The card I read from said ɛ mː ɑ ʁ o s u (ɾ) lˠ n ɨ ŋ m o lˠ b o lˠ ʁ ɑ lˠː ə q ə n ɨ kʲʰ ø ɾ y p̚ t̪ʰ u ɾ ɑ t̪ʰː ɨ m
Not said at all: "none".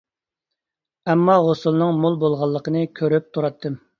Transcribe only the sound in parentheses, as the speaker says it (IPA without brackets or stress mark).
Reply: none